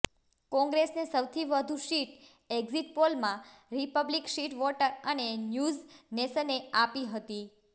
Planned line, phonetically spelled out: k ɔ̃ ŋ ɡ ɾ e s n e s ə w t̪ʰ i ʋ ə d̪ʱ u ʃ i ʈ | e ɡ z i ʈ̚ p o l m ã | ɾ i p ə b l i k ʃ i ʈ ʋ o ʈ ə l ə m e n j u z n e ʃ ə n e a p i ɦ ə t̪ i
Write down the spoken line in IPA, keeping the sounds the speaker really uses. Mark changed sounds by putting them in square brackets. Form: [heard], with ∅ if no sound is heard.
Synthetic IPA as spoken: k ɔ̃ ŋ ɡ ɾ e s n e s ə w t̪ʰ i ʋ ə d̪ʱ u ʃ i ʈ | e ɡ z i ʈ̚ p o l m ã | ɾ i p ə b l i k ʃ i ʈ ʋ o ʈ ə [ɾ] ə [n] e n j u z n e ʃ ə n e a p i ɦ ə t̪ i